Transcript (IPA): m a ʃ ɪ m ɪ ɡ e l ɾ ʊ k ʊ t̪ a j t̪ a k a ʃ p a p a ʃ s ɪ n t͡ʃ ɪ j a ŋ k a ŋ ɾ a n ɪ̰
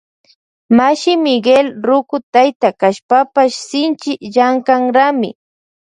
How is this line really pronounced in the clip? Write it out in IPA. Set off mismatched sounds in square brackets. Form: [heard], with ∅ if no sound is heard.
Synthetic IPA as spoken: m a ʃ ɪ m ɪ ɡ e l ɾ ʊ k ʊ t̪ a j t̪ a k a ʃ p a p a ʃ s ɪ n t͡ʃ ɪ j a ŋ k a ŋ ɾ a [m] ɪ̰